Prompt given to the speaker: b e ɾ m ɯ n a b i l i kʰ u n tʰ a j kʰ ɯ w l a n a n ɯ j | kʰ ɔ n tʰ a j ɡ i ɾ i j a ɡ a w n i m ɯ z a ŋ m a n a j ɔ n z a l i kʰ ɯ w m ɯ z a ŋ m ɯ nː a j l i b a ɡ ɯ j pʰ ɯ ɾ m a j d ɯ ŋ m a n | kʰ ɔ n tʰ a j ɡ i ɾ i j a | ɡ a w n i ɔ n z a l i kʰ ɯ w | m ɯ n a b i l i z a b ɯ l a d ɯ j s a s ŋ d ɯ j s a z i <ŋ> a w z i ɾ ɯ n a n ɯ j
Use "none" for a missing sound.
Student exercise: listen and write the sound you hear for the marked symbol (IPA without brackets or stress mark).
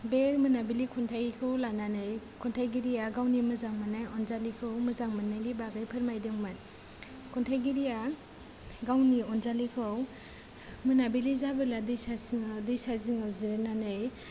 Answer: ŋ